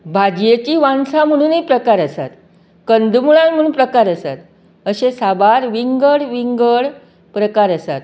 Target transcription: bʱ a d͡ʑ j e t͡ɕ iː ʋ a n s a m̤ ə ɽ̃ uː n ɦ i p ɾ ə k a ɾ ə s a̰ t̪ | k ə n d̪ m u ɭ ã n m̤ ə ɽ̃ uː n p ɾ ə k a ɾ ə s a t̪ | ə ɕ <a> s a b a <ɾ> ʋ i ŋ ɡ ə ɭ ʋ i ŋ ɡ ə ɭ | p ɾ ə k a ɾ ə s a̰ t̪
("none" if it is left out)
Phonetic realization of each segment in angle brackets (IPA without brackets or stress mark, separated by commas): e, ɾ